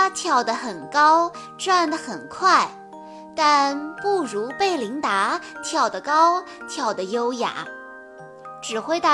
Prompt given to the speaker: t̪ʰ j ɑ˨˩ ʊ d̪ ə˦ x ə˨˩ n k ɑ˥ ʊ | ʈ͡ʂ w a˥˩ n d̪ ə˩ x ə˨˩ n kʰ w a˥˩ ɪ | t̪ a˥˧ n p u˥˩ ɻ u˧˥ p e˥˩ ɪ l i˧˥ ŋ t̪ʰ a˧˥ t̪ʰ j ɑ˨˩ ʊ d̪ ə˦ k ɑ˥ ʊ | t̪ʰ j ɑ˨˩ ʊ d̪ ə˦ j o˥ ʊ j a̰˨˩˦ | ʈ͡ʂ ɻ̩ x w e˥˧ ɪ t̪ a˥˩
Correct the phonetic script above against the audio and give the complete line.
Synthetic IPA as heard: t̪ʰ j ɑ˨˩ ʊ d̪ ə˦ x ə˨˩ n k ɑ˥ ʊ | ʈ͡ʂ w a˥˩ n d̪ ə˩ x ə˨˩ n kʰ w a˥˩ ɪ | t̪ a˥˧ n p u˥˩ ɻ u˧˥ p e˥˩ ɪ l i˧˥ ŋ t̪ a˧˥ t̪ʰ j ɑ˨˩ ʊ d̪ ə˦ k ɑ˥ ʊ | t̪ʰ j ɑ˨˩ ʊ d̪ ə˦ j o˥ ʊ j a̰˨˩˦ | ʈ͡ʂ ɻ̩ x w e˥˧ ɪ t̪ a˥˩